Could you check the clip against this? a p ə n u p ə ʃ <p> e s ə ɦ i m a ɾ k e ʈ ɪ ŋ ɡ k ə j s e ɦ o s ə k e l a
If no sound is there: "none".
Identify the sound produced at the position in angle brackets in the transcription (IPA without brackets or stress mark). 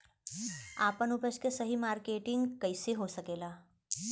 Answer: k